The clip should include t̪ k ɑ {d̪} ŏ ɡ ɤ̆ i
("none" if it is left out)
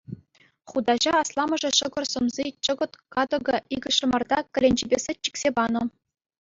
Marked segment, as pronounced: d̪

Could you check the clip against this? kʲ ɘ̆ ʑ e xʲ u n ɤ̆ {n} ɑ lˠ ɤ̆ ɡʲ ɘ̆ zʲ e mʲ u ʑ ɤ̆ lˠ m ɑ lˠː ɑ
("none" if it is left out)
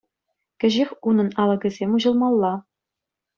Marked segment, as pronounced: n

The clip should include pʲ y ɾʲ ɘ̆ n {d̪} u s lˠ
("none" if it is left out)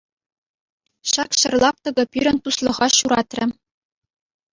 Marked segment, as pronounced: t̪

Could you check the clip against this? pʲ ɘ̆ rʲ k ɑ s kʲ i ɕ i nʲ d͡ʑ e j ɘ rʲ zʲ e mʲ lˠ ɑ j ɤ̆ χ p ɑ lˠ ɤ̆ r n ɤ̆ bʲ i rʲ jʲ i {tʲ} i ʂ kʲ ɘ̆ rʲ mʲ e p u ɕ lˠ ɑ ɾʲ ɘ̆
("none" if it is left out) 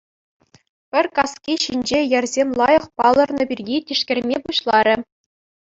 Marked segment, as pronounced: tʲ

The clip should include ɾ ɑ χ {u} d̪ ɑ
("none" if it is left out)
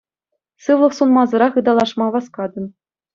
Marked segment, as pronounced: ɯ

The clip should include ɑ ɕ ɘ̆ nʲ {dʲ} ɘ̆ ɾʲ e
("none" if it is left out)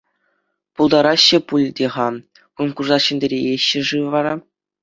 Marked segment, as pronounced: dʲ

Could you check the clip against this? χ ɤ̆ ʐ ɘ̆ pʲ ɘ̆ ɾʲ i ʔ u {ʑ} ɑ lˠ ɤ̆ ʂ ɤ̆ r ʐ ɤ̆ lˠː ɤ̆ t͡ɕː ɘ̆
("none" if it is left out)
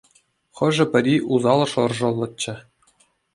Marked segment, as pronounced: z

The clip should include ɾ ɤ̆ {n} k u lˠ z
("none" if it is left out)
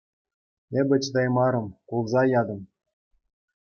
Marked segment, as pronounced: m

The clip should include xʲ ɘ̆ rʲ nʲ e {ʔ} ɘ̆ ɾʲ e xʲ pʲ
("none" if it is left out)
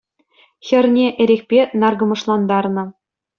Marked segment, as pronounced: ʔ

